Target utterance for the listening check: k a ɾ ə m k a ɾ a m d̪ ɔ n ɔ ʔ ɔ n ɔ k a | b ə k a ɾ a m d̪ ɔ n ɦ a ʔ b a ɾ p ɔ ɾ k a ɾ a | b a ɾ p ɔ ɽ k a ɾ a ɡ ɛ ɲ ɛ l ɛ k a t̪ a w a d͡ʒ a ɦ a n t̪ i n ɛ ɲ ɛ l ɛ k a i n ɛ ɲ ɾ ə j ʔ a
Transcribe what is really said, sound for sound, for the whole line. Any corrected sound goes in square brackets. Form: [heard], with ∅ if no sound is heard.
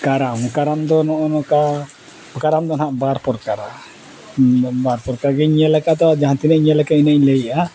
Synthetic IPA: k a ɾ [a] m k a ɾ a m d̪ ɔ n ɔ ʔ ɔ n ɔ k a | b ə k a ɾ a m d̪ ɔ n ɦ a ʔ b a ɾ p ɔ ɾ k a ɾ a | b a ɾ p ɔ [ɾ] k a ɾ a ɡ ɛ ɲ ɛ l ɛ k a t̪ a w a d͡ʒ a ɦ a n t̪ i n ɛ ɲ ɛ l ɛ k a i n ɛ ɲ [l] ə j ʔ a